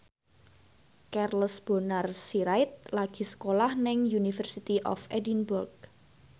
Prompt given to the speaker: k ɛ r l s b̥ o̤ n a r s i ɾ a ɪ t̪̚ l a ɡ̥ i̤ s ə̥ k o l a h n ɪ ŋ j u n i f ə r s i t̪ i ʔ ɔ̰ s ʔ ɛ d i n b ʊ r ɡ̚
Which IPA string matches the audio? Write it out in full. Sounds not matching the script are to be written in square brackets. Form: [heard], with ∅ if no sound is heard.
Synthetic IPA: k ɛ r l s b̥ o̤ n a r s i ɾ a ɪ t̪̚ l a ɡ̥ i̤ s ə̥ k o l a h n ɪ ŋ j u n i f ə r s i t̪ i ʔ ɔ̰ [f] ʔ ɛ d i n b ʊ r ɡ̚